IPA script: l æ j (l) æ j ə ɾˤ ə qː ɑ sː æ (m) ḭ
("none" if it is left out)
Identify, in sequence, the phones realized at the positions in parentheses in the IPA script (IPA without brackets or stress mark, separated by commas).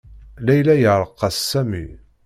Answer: l, m